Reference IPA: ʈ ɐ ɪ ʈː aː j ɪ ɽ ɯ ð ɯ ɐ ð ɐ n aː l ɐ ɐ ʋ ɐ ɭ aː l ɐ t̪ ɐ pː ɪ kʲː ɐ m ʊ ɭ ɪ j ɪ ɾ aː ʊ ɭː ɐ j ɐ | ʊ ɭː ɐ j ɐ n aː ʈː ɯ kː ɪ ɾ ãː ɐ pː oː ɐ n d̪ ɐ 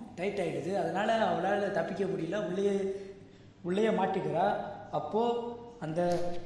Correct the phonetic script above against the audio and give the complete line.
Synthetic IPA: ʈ ɐ ɪ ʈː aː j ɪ ɽ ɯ ð ɯ ɐ ð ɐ n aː l ɐ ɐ ʋ ɐ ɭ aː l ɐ t̪ ɐ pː ɪ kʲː ɐ m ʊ ɽ ɪ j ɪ l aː ʊ ɭː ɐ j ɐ | ʊ ɭː ɐ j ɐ m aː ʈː ɯ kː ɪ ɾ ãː ɐ pː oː ɐ n d̪ ɐ